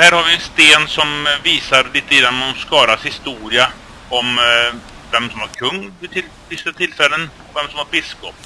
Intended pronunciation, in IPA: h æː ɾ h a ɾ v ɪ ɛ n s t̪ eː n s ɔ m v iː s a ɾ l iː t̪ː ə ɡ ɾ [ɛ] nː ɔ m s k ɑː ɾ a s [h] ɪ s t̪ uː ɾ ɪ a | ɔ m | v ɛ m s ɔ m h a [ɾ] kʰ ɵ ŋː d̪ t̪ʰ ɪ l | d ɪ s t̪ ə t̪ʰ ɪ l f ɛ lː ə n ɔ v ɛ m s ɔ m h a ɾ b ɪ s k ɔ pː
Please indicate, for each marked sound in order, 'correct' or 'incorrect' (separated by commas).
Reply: incorrect, correct, correct